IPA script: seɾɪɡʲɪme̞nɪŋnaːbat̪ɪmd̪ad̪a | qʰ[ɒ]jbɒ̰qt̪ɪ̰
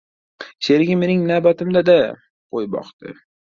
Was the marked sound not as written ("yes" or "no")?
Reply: yes